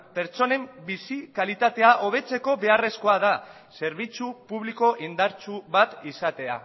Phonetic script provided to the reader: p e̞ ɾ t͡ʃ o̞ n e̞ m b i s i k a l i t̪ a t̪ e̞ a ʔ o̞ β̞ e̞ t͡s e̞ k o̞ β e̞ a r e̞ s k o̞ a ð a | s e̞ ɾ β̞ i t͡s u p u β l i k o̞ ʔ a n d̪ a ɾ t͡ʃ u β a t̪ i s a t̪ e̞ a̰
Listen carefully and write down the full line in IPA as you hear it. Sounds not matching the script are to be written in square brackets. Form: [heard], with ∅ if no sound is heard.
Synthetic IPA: p e̞ ɾ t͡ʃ o̞ n e̞ m b i s i k a l i t̪ a t̪ e̞ a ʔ o̞ β̞ e̞ t͡s e̞ k o̞ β e̞ a r e̞ s k o̞ a ð a | s e̞ ɾ β̞ i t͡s u p u β l i k o̞ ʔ [i] n d̪ a ɾ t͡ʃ u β a t̪ i s a t̪ e̞ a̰